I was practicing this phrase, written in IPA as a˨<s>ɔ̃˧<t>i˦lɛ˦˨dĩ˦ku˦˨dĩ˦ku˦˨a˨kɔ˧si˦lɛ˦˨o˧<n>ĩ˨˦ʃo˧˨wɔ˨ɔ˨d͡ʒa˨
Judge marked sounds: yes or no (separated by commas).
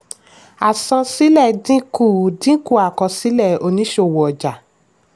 yes, no, yes